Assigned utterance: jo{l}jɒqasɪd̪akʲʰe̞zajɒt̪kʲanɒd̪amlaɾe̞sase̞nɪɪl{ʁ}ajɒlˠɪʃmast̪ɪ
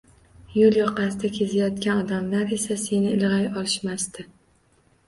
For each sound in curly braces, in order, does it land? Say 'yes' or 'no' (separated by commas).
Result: yes, yes